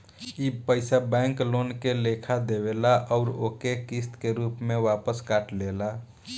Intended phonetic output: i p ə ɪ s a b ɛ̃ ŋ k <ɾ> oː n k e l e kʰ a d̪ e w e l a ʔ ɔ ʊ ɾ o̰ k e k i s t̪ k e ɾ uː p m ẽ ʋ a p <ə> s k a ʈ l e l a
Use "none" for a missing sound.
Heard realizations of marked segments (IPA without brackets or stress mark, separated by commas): l, ə